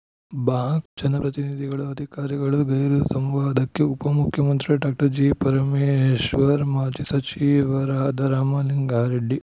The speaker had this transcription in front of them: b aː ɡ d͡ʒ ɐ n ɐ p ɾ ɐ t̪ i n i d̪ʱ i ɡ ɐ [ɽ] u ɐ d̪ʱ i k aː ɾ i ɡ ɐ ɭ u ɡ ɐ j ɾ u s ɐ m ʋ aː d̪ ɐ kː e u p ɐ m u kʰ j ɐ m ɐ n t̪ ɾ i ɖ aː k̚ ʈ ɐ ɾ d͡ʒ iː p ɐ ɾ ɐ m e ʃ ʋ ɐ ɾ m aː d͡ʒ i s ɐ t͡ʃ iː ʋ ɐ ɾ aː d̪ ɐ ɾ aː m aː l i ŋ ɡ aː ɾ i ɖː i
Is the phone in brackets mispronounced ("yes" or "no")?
yes